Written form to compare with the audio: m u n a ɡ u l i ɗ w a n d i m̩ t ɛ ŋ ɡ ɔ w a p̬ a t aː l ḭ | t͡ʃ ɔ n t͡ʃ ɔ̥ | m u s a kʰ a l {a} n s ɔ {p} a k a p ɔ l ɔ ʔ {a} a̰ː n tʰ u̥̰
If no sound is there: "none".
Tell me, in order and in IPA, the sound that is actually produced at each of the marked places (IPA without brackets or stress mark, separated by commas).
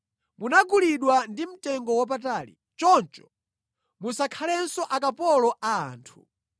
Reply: ɛ, ʔ, a